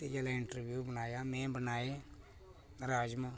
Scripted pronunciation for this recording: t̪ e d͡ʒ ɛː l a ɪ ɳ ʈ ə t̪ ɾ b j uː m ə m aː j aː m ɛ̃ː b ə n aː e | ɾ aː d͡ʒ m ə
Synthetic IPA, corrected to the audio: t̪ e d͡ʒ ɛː l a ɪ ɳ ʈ ə ɾ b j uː b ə n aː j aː m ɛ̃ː b ə n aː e | ɾ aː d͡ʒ m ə